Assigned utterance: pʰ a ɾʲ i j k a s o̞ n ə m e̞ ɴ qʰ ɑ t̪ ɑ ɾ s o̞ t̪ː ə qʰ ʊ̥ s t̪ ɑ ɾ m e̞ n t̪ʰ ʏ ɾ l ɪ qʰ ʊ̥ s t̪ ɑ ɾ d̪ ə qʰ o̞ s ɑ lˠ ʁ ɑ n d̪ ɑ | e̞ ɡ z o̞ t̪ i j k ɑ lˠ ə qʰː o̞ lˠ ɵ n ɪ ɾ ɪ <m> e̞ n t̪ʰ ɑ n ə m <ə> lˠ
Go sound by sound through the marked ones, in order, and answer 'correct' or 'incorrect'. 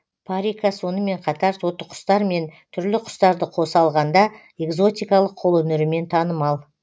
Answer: correct, incorrect: ɑ

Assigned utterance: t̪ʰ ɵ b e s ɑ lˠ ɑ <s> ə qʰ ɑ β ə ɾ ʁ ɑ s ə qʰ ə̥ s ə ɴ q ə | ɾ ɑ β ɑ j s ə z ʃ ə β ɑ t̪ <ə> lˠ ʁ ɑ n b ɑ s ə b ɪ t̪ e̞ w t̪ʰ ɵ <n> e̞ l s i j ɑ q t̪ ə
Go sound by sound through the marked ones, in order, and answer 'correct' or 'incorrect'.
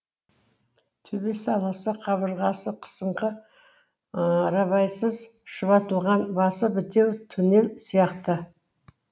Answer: correct, correct, correct

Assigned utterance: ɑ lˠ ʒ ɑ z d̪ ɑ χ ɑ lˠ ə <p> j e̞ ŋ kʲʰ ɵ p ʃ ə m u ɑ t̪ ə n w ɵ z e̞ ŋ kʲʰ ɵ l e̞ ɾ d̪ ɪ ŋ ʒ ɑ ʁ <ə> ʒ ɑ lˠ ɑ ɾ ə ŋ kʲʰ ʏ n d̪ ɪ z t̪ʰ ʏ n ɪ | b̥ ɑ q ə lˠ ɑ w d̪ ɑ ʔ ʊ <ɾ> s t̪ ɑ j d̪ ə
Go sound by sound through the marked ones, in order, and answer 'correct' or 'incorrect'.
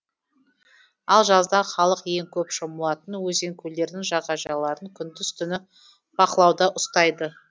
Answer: incorrect: q, incorrect: ɑ, incorrect: none

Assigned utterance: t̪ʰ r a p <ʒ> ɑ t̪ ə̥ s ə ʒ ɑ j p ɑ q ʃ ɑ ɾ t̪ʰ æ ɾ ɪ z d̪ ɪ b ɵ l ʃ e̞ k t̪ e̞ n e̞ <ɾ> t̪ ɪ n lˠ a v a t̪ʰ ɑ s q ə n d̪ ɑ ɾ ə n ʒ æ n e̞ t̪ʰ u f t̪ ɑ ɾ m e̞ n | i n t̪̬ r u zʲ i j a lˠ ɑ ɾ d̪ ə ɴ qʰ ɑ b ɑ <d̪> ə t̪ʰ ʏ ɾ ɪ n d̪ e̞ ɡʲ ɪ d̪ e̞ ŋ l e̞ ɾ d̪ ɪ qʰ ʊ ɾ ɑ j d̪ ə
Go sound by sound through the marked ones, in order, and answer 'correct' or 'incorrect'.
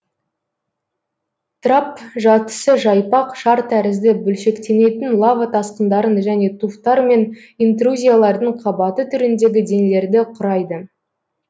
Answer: correct, incorrect: none, incorrect: t̪

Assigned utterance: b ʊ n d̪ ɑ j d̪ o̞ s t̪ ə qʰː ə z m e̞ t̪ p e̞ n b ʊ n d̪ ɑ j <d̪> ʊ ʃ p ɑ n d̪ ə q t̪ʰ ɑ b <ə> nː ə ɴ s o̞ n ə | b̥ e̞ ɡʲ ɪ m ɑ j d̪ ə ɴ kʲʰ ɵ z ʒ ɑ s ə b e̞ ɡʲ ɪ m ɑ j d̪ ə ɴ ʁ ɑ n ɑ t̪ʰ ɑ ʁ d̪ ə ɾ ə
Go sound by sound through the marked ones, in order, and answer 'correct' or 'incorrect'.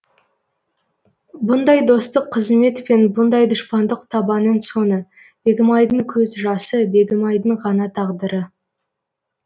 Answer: correct, incorrect: ɑ

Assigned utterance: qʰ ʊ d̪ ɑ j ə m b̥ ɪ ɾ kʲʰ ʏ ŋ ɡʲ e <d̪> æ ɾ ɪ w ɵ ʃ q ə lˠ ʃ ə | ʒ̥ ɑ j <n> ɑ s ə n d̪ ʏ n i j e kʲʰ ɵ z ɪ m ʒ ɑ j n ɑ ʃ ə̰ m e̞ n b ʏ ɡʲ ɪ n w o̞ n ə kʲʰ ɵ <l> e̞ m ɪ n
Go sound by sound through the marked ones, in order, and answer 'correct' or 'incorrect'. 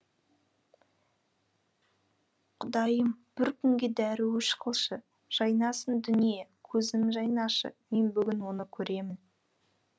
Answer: correct, correct, incorrect: ɾ

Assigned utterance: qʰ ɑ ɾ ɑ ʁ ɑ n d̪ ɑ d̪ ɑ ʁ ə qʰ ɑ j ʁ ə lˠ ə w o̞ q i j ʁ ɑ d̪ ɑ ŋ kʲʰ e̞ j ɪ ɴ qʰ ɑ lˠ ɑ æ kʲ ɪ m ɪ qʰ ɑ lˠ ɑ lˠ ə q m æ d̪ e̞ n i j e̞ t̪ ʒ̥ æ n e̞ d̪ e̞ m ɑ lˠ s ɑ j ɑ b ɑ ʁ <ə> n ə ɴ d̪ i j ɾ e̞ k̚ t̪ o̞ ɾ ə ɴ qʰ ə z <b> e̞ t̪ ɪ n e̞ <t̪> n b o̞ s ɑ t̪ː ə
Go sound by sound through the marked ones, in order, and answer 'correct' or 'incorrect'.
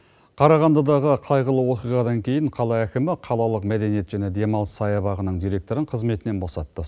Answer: correct, incorrect: m, incorrect: none

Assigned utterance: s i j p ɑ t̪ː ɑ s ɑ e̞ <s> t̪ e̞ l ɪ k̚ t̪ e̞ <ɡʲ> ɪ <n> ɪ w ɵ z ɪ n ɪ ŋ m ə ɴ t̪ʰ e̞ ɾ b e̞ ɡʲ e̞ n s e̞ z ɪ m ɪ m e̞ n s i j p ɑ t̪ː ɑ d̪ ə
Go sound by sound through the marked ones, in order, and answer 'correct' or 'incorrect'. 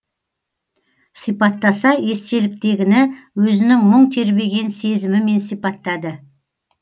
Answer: correct, correct, correct

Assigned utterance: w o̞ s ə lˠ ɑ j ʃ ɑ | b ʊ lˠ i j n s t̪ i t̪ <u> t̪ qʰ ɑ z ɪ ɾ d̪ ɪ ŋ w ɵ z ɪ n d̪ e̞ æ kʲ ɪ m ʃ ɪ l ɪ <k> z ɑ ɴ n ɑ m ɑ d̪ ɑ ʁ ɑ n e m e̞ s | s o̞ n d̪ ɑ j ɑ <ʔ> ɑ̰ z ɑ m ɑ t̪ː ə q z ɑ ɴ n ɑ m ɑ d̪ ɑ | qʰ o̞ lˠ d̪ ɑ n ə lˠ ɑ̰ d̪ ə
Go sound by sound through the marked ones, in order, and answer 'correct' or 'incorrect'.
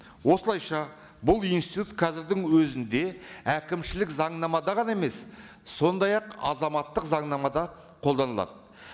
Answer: correct, correct, incorrect: q

